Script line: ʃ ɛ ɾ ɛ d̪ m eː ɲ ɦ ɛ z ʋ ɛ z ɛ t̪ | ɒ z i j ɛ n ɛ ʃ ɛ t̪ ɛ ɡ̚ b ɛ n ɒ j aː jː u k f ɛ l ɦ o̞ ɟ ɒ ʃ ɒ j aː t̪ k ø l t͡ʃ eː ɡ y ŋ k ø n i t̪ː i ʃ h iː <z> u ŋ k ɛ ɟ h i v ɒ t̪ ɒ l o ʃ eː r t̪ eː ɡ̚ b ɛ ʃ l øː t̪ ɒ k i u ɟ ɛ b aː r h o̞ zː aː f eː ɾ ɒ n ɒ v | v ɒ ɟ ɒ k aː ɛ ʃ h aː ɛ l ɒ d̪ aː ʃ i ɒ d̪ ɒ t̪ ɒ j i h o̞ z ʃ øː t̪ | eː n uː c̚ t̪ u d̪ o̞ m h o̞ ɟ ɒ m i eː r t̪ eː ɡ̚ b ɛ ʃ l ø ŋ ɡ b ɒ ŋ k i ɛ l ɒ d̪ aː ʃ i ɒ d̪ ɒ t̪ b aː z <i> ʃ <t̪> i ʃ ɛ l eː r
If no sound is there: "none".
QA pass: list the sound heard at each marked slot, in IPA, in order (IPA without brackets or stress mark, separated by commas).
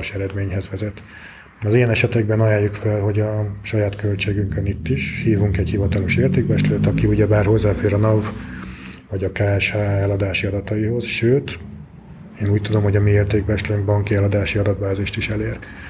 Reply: v, i, t̪